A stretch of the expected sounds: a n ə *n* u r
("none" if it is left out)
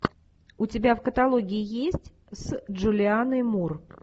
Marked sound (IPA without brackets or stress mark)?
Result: m